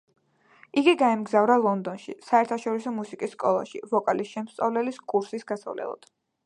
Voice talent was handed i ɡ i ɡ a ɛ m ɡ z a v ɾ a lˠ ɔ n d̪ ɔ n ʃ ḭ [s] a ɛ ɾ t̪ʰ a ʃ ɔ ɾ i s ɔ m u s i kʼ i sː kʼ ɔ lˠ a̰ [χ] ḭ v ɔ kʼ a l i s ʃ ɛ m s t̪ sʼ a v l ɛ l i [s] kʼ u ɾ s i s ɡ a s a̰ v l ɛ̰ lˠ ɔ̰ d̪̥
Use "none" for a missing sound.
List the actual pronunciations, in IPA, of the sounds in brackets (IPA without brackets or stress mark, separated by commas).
s, ʃ, s